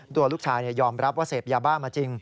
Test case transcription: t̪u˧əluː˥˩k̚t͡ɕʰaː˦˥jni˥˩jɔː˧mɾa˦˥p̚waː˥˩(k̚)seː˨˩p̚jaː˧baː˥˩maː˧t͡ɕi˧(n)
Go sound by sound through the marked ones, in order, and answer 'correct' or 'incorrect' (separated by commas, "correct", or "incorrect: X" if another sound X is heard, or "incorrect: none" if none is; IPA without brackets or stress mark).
incorrect: none, incorrect: ŋ